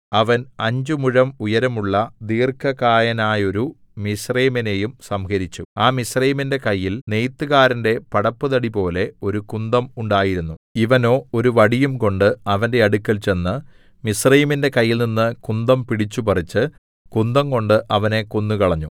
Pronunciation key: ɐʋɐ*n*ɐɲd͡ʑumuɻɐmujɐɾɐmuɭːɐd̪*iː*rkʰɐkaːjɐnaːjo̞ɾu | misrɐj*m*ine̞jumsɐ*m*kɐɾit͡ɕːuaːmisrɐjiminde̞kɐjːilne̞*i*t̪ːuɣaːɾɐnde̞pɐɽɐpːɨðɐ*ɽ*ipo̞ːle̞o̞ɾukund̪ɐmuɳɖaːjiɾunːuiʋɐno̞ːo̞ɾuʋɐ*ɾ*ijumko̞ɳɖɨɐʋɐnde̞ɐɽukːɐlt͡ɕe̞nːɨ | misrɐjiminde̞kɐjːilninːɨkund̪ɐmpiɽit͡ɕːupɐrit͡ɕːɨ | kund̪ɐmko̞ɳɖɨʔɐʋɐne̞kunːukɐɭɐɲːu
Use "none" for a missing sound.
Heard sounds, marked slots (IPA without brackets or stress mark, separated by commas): n, iː, m, m, j, ɽ, ɽ